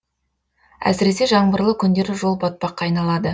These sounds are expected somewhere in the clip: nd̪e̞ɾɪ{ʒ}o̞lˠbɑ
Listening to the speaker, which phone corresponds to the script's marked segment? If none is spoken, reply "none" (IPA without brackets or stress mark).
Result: ʒ